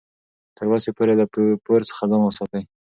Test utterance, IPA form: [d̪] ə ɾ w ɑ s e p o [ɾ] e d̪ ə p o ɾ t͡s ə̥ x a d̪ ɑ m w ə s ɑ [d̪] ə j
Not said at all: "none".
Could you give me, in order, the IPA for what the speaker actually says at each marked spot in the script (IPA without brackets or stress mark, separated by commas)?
t̪, ɾ, t̪